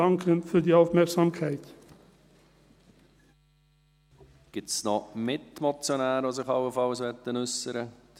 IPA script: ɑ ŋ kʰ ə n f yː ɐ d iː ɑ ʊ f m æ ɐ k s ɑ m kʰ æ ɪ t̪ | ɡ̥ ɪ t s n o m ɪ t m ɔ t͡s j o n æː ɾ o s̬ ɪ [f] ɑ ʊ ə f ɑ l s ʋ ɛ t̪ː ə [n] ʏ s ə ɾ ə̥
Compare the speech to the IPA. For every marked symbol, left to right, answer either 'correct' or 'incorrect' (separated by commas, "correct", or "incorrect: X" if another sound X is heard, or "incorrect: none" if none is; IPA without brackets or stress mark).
incorrect: χ, correct